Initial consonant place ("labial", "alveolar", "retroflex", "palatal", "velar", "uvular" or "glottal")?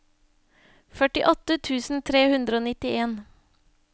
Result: labial